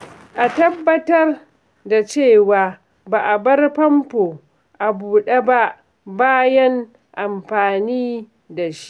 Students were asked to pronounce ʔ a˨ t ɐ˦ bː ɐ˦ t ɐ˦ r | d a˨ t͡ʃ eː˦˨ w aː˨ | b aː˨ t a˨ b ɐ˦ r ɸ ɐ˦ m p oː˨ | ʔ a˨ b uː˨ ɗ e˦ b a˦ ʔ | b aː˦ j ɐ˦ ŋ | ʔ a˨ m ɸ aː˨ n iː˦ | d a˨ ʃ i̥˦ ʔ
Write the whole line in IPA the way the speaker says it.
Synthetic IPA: ʔ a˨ t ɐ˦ bː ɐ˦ t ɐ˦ r | d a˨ t͡ʃ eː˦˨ w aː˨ | b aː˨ ʔ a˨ b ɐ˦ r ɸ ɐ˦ m p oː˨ | ʔ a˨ b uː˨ ɗ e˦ b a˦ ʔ | b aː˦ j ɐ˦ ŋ | ʔ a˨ m ɸ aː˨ n iː˦ | d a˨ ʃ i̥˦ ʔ